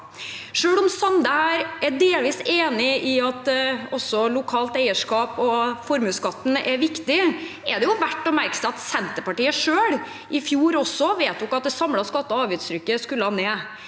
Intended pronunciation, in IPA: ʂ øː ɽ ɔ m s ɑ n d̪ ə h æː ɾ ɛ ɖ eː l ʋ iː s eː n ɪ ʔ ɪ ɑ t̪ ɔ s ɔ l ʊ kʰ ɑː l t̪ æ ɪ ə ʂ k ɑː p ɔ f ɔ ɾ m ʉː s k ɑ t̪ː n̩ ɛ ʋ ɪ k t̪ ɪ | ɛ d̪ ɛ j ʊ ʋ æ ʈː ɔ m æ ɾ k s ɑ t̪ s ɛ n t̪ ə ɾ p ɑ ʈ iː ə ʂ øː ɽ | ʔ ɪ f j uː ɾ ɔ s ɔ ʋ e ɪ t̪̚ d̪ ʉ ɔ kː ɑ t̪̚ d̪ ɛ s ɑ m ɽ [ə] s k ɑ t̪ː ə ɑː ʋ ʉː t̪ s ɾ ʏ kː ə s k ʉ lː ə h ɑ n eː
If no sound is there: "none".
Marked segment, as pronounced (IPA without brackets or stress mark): ɑ